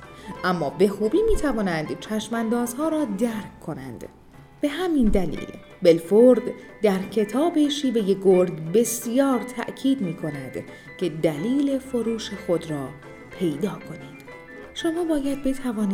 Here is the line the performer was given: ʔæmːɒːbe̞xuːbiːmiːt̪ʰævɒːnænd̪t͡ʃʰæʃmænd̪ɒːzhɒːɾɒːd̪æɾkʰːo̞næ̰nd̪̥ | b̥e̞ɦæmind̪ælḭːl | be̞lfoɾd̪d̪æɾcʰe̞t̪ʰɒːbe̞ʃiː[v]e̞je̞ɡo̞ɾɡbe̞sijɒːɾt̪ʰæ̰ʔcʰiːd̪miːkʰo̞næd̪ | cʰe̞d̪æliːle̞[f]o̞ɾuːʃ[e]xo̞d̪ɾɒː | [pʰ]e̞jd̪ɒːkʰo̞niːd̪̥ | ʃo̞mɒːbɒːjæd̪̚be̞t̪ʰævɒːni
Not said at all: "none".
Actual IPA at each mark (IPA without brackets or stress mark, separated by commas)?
v, f, e, pʰ